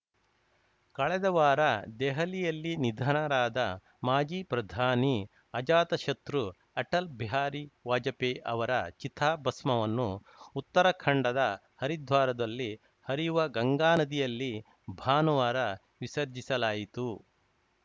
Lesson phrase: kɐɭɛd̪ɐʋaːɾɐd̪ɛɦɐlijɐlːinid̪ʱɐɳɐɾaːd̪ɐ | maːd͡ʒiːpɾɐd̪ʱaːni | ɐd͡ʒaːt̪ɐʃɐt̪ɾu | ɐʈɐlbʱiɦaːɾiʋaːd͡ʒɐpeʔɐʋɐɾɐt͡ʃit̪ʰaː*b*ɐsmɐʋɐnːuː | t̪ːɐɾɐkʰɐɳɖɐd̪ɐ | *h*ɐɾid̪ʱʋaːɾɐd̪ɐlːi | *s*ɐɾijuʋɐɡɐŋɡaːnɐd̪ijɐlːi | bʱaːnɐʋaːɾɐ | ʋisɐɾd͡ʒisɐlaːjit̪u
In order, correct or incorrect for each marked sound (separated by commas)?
correct, correct, incorrect